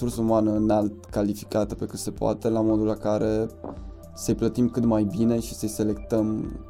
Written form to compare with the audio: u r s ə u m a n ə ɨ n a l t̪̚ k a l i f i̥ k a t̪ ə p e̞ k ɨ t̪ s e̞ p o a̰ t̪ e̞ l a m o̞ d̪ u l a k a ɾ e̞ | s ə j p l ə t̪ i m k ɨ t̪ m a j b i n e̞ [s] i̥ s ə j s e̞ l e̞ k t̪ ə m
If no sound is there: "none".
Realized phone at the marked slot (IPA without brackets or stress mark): ʃ